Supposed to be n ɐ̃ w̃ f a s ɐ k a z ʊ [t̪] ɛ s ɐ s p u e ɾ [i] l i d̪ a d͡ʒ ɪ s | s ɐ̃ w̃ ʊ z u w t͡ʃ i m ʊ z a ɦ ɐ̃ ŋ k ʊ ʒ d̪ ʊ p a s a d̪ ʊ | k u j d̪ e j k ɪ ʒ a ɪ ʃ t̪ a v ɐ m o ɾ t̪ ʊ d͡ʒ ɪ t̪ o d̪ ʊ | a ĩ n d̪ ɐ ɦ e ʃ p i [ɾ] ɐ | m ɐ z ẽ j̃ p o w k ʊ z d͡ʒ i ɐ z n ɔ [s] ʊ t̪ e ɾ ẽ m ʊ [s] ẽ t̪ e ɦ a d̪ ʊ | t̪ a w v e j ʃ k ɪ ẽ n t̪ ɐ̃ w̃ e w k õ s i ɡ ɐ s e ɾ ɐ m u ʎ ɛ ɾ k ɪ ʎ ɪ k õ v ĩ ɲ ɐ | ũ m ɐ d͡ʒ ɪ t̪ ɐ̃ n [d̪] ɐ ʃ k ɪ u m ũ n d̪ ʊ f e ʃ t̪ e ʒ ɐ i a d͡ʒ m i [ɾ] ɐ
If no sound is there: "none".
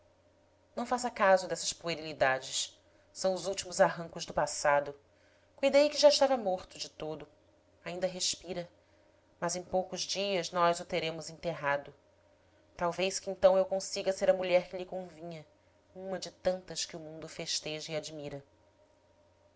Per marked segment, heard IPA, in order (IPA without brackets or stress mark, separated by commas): d̪, i, ɾ, z, z, t̪, ɾ